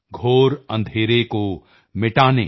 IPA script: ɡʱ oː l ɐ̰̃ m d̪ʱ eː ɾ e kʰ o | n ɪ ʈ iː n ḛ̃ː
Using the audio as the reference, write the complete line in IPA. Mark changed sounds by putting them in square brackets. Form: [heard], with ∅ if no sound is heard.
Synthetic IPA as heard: ɡʱ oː [ɾ] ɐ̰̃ [n] d̪ʱ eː ɾ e [k] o | [m] ɪ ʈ [aː] n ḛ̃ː